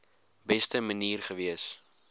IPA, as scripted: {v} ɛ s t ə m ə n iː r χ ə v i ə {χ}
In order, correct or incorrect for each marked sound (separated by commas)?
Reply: incorrect, incorrect